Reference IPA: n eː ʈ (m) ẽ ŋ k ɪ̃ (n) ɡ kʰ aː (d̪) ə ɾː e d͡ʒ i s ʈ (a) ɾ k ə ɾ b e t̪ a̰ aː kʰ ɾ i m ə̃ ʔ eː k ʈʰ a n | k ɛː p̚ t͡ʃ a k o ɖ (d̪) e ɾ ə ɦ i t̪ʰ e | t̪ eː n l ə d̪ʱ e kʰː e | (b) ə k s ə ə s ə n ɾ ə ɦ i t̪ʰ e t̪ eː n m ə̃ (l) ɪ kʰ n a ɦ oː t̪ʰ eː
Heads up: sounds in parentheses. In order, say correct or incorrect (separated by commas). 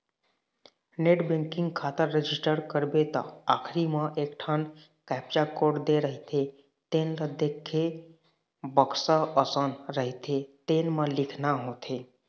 incorrect, incorrect, incorrect, incorrect, correct, correct, correct